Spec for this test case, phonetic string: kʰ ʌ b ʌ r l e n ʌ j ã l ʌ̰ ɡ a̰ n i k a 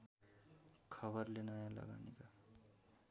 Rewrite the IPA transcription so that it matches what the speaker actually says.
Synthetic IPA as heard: kʰ ʌ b ʌ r l e n ʌ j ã l ʌ̰ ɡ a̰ n i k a